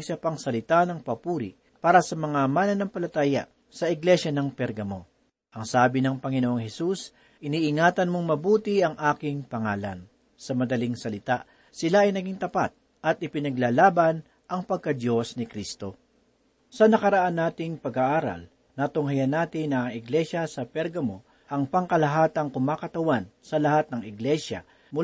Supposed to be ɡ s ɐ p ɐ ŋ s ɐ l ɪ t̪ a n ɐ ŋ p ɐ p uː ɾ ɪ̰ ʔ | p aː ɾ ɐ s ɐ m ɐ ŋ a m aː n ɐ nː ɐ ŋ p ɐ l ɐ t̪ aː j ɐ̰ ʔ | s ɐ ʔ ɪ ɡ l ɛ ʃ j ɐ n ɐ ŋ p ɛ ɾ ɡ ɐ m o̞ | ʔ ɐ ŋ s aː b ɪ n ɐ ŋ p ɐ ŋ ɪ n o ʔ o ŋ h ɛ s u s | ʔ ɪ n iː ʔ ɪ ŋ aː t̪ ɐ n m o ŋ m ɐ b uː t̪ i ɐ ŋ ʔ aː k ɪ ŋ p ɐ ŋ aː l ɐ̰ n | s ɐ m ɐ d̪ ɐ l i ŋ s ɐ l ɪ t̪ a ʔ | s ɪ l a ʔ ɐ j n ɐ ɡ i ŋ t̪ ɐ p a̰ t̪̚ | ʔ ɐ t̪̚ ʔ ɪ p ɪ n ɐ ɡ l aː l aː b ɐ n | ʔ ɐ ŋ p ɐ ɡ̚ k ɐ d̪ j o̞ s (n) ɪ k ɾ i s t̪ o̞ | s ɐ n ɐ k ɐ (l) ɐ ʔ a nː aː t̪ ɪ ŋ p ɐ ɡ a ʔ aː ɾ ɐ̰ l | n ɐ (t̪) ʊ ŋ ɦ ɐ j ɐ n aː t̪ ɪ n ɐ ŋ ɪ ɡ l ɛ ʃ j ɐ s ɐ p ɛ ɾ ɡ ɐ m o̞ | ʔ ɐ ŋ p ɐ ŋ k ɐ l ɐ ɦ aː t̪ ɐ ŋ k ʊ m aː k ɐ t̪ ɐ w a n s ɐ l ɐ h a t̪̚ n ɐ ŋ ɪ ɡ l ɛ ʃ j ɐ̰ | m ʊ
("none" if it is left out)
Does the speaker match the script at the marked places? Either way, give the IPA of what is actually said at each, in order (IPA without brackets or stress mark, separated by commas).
n, ɾ, t̪